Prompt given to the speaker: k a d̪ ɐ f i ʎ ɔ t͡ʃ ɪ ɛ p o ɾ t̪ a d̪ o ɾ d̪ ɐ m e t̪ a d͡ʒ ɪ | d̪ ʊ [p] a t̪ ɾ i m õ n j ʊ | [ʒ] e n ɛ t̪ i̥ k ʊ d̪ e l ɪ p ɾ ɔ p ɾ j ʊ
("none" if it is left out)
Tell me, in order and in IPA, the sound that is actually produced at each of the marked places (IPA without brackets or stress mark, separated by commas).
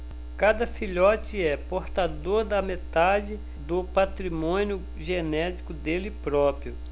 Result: p, ʒ